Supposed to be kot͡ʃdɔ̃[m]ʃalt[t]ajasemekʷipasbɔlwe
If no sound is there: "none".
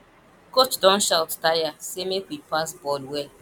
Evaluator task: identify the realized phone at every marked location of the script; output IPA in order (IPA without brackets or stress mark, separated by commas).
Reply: n, t